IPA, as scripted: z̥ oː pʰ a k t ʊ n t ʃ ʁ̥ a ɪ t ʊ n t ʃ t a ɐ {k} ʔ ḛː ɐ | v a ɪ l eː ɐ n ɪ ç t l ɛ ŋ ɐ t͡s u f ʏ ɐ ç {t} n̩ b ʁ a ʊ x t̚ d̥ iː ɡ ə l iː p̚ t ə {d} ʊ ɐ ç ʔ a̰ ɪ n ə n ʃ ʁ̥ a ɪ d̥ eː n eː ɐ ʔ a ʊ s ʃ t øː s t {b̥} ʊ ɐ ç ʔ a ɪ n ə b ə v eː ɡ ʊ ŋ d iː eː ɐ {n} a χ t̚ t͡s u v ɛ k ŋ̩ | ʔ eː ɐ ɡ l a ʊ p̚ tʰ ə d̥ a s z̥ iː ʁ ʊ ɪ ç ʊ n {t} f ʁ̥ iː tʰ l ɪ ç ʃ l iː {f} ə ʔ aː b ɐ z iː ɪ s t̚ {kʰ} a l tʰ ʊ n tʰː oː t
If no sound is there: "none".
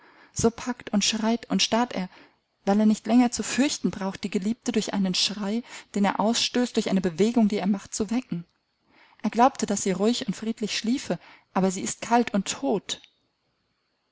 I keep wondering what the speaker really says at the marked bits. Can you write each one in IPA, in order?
t, t, d, d̥, m, t, f, kʰ

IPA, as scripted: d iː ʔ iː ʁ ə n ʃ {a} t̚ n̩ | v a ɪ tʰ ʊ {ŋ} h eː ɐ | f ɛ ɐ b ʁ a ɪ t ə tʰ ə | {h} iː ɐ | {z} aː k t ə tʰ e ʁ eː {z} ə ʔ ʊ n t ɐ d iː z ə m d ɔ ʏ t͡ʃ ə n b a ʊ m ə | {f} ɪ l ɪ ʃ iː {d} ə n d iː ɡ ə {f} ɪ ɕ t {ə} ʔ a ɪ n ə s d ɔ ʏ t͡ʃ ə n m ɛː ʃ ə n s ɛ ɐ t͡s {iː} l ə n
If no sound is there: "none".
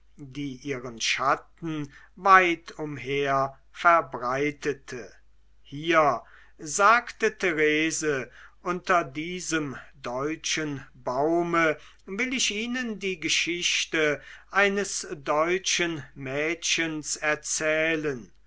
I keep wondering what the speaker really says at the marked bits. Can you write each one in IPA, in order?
a, m, h, z, z, v, n, ʃ, ə, ɛː

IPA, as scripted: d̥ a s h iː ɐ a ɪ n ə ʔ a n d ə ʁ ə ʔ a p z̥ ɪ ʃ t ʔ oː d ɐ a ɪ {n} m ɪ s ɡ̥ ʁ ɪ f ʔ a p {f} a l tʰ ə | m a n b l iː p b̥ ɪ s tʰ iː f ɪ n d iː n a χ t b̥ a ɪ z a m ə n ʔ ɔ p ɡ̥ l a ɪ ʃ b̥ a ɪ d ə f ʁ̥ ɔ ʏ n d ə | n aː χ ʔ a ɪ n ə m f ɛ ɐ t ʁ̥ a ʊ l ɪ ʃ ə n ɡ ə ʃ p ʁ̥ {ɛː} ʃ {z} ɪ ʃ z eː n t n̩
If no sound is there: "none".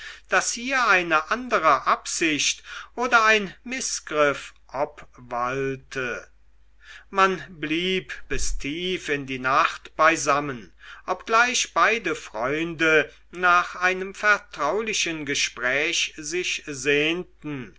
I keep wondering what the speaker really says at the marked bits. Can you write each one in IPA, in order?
n, v, ɛː, z

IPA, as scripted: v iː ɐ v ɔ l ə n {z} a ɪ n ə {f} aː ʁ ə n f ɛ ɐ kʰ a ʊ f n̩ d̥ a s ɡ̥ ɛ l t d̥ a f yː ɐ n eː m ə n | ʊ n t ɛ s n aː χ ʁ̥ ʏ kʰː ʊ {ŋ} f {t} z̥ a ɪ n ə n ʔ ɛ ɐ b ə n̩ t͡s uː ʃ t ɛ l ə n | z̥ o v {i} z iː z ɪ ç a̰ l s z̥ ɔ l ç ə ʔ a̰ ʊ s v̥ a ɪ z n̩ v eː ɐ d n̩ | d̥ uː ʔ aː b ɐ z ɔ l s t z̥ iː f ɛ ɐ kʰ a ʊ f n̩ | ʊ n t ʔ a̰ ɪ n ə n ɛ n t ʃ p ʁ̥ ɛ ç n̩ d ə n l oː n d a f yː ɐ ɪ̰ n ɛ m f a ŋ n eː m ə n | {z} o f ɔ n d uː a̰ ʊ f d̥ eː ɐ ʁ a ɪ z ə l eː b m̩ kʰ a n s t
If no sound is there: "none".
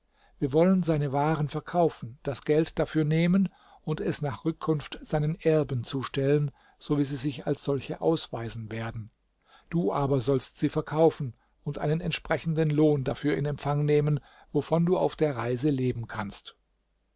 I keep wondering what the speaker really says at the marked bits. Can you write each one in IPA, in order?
z, v, n, t, iː, v

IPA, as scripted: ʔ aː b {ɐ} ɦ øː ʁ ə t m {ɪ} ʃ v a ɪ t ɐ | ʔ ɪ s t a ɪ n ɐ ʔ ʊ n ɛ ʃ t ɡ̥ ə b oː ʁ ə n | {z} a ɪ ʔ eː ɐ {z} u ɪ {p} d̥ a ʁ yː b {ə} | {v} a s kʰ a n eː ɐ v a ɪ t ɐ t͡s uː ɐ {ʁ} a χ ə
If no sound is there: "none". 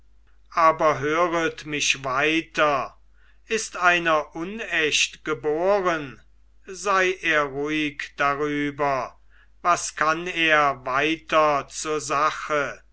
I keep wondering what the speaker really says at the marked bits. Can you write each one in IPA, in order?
ɐ, ɪ, z, ʁ, k, ɐ, v, z

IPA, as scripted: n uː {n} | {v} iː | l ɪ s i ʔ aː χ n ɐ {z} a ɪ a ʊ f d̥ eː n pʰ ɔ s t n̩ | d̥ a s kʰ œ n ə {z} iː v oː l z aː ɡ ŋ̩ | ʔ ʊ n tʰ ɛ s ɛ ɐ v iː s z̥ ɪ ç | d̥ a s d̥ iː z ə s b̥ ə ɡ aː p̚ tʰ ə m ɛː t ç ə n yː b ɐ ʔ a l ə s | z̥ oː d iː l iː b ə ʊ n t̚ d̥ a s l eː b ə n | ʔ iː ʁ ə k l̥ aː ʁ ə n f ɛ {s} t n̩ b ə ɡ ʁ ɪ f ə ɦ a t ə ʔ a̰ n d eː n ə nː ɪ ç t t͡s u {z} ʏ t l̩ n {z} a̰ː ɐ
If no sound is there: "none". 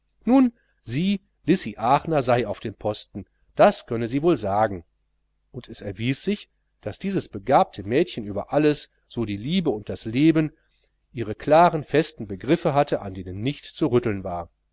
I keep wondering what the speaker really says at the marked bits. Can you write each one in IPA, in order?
n, z, z, z, s, ʁ, v

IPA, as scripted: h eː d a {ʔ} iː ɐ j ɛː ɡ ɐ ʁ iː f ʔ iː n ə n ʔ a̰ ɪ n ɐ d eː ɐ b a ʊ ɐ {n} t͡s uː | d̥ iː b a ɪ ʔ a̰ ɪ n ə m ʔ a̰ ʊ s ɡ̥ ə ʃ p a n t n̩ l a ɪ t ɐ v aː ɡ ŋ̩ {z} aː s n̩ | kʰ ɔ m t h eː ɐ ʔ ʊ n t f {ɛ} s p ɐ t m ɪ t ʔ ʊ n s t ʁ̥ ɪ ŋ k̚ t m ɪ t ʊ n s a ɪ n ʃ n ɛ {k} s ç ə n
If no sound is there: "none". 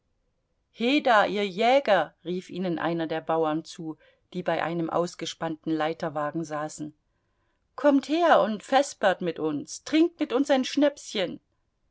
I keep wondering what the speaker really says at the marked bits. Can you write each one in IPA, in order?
ʔ, n, z, ɛ, p

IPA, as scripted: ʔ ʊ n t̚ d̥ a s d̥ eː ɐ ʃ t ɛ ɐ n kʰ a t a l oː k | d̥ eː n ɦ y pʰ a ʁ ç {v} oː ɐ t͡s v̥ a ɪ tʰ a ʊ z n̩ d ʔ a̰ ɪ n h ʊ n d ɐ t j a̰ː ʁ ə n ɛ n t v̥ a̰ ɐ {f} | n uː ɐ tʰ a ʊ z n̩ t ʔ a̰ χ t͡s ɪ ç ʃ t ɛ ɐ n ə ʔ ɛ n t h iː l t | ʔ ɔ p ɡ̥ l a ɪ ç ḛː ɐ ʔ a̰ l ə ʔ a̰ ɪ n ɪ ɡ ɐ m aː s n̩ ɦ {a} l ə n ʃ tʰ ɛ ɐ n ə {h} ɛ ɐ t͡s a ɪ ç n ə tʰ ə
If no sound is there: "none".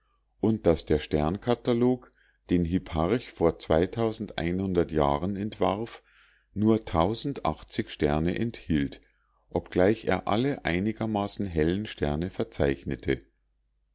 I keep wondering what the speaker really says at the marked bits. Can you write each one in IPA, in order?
f, f, ɛ, f

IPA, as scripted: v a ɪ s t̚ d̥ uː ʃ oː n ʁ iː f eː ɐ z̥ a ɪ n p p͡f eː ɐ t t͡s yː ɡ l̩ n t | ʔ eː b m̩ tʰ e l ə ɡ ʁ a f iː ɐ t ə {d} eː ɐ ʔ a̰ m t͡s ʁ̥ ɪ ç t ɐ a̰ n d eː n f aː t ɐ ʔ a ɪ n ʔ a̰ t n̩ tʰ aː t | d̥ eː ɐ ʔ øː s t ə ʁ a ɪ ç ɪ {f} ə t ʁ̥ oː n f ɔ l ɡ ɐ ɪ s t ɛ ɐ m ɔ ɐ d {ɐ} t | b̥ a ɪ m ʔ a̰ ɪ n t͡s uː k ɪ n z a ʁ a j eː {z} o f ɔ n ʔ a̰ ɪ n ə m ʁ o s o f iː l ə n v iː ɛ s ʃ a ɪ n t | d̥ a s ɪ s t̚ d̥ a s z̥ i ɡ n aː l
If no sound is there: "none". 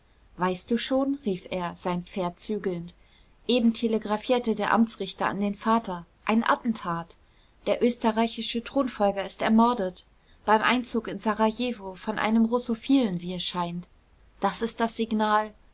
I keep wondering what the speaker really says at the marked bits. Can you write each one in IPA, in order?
d, ʃ, ə, v

